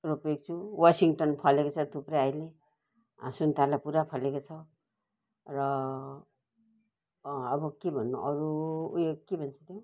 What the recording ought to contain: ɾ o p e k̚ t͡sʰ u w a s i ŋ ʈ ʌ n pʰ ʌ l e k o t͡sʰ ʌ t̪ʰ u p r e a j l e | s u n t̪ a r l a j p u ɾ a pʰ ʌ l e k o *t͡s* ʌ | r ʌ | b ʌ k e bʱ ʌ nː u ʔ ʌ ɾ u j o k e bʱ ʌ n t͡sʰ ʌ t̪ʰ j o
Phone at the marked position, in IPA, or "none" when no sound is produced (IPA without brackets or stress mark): t͡sʰ